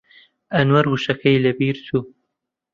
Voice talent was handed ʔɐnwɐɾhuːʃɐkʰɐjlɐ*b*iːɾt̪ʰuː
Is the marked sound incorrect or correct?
correct